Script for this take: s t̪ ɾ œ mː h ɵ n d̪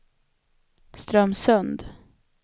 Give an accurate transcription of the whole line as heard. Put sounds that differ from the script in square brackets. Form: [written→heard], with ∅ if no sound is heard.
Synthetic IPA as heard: s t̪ ɾ œ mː [h→s] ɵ n d̪

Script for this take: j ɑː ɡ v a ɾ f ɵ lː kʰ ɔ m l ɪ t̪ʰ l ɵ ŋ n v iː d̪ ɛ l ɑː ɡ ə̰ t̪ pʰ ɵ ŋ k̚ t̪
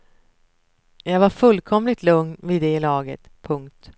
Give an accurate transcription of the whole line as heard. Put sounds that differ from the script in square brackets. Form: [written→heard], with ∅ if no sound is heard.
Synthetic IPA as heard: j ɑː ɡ v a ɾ f ɵ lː kʰ ɔ m l ɪ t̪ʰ l ɵ ŋ n v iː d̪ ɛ l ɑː ɡ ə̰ t̪ pʰ ɵ ŋ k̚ t̪

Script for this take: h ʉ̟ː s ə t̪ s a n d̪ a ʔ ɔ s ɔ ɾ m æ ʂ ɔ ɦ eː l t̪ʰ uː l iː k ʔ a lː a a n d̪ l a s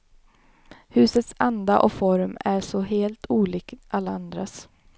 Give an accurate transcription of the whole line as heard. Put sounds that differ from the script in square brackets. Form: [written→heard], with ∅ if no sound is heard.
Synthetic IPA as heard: h ʉ̟ː s ə t̪ s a n d̪ a ʔ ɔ [s→f] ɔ ɾ m æ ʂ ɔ ɦ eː l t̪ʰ uː l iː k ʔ a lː a a n d̪ [l→ɾ] a s

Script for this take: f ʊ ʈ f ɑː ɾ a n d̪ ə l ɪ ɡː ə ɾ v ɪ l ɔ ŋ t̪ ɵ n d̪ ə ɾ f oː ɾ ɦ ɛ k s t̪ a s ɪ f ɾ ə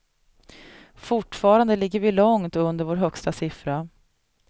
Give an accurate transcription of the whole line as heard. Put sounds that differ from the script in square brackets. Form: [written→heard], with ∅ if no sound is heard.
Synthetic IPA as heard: f ʊ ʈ f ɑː ɾ a n d̪ ə l ɪ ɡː ə ɾ v ɪ l ɔ ŋ t̪ ɵ n d̪ ə ɾ [f→v] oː ɾ ɦ [ɛ→œ] k s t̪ a s ɪ f ɾ [ə→a]

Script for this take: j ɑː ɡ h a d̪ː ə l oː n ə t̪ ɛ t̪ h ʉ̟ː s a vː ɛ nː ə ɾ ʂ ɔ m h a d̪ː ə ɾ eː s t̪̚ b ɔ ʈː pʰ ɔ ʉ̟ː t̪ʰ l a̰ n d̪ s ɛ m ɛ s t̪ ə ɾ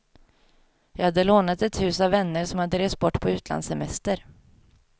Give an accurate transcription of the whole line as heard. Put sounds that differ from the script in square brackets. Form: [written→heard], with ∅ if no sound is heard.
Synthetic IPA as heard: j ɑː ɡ h a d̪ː ə l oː n [ə→a] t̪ ɛ t̪ h ʉ̟ː s a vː ɛ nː ə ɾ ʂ ɔ m h a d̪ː ə ɾ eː s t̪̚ b ɔ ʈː pʰ ɔ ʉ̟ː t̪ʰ l a̰ n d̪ s ɛ m ɛ s t̪ ə ɾ

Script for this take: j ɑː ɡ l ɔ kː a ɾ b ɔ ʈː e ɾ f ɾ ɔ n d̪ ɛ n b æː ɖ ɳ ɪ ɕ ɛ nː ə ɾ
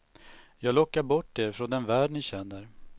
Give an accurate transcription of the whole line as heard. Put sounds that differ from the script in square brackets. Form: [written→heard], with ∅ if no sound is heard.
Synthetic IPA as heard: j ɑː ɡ l ɔ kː a ɾ b ɔ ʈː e ɾ f ɾ ɔ n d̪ ɛ n [b→v] æː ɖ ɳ ɪ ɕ ɛ nː ə ɾ

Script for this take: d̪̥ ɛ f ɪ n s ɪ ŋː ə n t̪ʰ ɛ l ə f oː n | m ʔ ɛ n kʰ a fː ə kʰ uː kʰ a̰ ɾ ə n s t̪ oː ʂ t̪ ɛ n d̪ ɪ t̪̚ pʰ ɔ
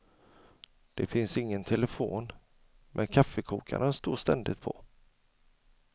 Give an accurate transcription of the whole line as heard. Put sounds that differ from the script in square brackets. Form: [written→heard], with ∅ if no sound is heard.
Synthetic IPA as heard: d̪̥ ɛ f ɪ n s ɪ ŋː ə n t̪ʰ ɛ l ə f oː n | m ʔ ɛ n kʰ a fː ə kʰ uː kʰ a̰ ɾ ə n s t̪ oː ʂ t̪ ɛ n d̪ ɪ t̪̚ pʰ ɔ

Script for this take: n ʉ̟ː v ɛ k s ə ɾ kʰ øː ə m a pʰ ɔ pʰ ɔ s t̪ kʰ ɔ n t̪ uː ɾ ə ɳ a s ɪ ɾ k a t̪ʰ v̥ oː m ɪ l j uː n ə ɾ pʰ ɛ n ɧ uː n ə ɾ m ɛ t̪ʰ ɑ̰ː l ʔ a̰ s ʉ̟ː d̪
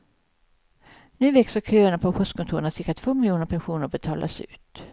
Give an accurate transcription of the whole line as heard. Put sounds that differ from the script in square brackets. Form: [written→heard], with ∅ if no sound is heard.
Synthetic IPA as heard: n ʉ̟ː v ɛ k s ə ɾ kʰ øː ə [m→ɳ] a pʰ ɔ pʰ ɔ s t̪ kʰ ɔ n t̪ uː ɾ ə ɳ a s ɪ ɾ k a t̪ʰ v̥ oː m ɪ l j uː n ə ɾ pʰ ɛ n ɧ uː n ə ɾ [m→b] ɛ t̪ʰ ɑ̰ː l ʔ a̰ s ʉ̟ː [d̪→t̪]

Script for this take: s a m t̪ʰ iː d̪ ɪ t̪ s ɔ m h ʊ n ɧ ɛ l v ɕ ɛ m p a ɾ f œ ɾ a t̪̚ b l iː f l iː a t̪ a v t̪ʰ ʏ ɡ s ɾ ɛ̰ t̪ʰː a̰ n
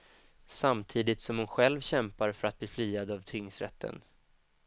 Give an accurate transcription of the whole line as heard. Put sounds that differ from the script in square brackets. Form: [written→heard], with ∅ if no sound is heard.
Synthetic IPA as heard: s a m t̪ʰ iː d̪ ɪ t̪ s ɔ m h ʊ n ɧ ɛ l v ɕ ɛ m p a ɾ f œ ɾ a t̪̚ b l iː f l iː a [t̪→d̪] a v t̪ʰ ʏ [ɡ→ŋ] s ɾ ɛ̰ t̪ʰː [a̰→ə̰] n

